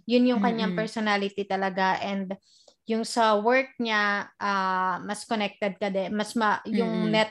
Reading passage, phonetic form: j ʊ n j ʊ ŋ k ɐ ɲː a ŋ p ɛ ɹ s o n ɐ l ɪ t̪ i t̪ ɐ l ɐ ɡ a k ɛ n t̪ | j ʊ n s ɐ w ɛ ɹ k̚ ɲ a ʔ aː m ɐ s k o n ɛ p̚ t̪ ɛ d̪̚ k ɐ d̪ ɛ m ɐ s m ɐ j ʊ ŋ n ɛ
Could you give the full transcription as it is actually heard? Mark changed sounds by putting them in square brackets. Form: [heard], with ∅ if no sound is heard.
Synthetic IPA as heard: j ʊ n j ʊ ŋ k ɐ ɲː a ŋ p ɛ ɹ s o n [a] l ɪ t̪ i t̪ ɐ l ɐ ɡ a [ʔ] ɛ n [d̪] | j ʊ [ŋ] s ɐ w ɛ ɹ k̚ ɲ a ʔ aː m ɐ s k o n ɛ [k̚] t̪ ɛ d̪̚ k ɐ d̪ ɛ m ɐ s m ɐ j ʊ ŋ n ɛ